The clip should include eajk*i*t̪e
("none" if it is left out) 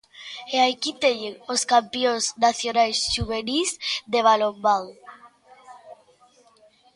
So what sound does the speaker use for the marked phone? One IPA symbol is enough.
i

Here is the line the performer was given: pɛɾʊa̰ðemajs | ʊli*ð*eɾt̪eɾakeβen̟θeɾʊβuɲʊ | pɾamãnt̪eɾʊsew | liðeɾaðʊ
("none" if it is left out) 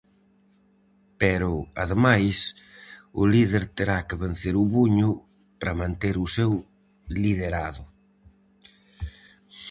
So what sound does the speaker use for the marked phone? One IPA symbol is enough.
ð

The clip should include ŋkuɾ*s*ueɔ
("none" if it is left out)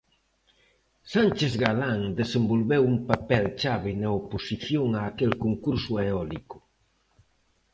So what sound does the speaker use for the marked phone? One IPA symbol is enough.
s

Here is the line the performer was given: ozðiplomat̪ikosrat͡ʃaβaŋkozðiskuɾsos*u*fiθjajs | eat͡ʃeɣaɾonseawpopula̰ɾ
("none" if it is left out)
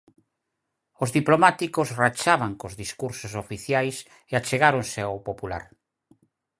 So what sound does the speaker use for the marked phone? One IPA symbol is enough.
o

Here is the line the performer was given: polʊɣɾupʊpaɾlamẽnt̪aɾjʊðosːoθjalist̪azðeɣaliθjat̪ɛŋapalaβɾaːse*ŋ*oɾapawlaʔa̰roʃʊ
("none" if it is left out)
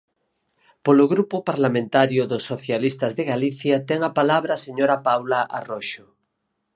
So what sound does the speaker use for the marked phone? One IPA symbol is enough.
ɲ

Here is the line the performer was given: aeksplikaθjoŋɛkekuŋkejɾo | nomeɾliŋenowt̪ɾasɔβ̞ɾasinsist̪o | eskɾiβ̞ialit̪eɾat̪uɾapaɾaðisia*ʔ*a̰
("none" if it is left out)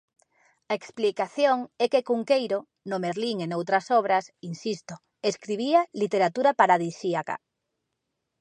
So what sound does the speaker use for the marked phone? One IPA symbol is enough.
k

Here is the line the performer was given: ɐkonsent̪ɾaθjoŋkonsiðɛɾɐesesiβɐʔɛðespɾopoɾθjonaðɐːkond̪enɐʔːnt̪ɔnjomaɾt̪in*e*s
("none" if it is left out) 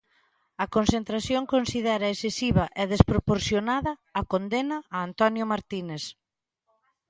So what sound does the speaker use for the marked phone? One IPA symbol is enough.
e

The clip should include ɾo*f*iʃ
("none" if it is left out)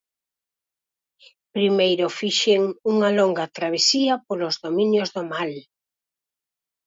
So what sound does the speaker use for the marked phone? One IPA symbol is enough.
f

